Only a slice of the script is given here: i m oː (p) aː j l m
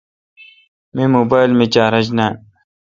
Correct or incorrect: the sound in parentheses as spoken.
incorrect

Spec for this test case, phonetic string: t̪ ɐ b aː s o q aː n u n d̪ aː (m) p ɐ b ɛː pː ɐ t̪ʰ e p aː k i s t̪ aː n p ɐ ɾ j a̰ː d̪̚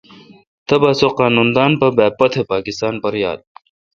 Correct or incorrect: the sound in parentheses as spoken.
incorrect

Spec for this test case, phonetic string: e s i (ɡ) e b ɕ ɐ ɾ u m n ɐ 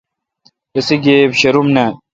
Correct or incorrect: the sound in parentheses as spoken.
correct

